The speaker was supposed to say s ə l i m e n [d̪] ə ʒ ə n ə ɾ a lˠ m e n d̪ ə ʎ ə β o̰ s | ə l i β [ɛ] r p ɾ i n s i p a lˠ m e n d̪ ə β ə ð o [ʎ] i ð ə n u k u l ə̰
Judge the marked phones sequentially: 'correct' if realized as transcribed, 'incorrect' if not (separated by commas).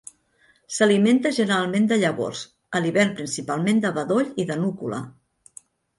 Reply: incorrect, correct, correct